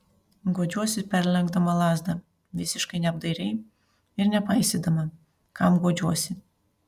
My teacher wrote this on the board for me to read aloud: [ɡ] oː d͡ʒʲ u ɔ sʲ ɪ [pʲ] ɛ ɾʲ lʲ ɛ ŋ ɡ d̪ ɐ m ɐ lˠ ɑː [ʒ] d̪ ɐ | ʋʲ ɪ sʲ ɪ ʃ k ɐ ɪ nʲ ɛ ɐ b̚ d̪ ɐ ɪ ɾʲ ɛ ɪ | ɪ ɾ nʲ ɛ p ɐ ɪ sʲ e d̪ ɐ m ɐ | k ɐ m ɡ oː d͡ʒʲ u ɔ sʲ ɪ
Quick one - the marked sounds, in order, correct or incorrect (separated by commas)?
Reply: correct, correct, incorrect